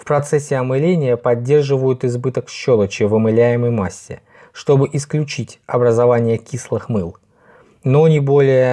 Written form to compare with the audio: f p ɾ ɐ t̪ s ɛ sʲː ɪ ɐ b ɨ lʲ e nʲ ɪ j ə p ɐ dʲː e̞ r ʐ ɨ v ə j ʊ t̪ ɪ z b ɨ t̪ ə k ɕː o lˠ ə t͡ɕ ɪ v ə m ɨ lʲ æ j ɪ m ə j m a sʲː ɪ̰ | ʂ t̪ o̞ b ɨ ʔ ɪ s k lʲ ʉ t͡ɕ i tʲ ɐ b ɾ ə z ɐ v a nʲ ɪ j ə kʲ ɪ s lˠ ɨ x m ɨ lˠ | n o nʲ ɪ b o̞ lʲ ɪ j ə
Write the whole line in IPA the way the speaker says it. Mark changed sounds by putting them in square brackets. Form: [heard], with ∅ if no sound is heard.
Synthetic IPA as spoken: f p ɾ ɐ t̪ s ɛ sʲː ɪ ɐ [m] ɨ lʲ e nʲ ɪ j ə p ɐ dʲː e̞ r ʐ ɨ v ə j ʊ t̪ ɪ z b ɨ t̪ ə k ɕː o lˠ ə t͡ɕ ɪ v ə m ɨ lʲ æ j ɪ m ə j m a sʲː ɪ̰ | ʂ t̪ o̞ b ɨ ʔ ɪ s k lʲ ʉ t͡ɕ i tʲ ɐ b ɾ ə z ɐ v a nʲ ɪ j ə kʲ [i] s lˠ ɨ x m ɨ lˠ | n o nʲ ɪ b o̞ lʲ ɪ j ə